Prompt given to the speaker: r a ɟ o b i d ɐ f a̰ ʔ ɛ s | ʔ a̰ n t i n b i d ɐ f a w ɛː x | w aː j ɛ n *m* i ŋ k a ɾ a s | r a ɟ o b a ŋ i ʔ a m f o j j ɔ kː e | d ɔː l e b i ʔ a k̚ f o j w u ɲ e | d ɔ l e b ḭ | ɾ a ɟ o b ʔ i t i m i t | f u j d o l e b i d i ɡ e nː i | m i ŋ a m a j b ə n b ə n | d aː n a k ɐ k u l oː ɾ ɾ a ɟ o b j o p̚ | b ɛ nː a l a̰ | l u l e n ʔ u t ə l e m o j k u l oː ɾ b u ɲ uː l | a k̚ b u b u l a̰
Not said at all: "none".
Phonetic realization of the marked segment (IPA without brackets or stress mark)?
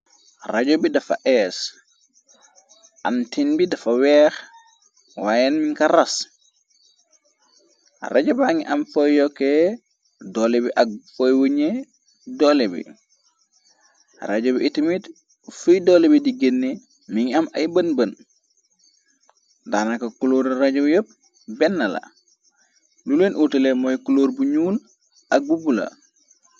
m